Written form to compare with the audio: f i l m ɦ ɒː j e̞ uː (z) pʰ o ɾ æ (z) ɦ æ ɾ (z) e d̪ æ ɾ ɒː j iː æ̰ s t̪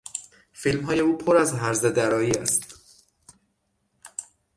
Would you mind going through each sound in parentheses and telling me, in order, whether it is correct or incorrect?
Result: incorrect: none, correct, correct

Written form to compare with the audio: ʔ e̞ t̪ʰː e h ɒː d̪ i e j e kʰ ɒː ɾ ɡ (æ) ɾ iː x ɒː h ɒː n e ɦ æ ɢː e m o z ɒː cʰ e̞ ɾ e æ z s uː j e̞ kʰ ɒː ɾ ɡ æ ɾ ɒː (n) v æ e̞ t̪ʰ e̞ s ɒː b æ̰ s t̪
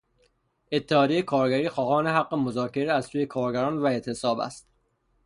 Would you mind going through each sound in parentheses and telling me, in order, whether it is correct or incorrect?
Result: correct, correct

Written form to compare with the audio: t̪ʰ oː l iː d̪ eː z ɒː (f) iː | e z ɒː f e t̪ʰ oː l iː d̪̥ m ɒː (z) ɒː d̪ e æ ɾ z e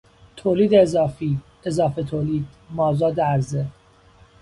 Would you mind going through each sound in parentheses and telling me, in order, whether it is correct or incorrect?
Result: correct, correct

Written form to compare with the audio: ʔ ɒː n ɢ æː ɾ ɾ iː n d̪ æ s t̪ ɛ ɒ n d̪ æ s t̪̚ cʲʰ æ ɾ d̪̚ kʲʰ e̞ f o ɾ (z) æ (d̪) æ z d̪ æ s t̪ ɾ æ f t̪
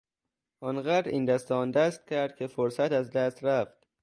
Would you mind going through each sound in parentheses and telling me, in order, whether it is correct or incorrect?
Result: incorrect: s, incorrect: t̪

